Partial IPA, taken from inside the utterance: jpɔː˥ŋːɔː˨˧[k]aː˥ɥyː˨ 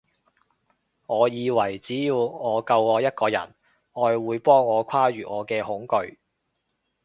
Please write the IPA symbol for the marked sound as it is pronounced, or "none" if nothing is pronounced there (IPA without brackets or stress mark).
kʰ